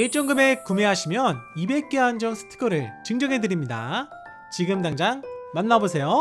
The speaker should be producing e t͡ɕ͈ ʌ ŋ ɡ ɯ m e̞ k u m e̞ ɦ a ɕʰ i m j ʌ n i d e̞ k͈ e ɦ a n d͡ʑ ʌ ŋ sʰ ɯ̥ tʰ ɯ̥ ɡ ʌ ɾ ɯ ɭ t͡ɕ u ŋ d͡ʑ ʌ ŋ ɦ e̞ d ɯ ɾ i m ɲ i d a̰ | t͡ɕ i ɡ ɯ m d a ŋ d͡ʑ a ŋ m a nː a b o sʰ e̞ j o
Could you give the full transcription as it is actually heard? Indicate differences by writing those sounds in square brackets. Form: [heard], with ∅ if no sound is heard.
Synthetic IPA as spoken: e t͡ɕ͈ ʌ ŋ ɡ ɯ m e̞ k u m e̞ ɦ a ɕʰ i m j ʌ n i [b] e̞ k͈ e ɦ a n d͡ʑ ʌ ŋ sʰ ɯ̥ tʰ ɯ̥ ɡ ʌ ɾ ɯ ɭ t͡ɕ [ɯ] ŋ d͡ʑ ʌ ŋ ɦ e̞ d ɯ ɾ i m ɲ i d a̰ | t͡ɕ i ɡ ɯ m d a ŋ d͡ʑ a ŋ m a nː a b o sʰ e̞ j o